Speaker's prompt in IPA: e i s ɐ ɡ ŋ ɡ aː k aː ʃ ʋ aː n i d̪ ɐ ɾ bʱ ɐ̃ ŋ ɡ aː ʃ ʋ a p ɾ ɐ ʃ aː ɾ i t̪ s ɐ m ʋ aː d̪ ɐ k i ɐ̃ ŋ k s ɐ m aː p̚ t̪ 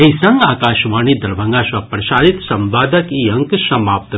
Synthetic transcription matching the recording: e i s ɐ ŋ ɡ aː k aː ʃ ʋ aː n i d̪ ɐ ɾ bʱ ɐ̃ ŋ ɡ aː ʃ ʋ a p ɾ ɐ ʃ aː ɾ i t̪ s ɐ m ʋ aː d̪ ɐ k i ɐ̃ ŋ k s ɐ m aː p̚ t̪